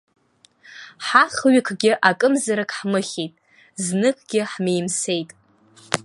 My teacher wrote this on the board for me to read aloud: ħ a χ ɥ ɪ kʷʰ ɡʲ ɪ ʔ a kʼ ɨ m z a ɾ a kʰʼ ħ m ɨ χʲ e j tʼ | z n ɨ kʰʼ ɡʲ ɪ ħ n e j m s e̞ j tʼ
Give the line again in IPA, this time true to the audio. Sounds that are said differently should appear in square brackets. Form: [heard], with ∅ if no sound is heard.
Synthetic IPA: ħ a χ ɥ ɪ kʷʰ ɡʲ ɪ ʔ a kʼ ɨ m z a ɾ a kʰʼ ħ m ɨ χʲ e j tʼ | z n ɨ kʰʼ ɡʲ ɪ ħ [m] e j m s e̞ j tʼ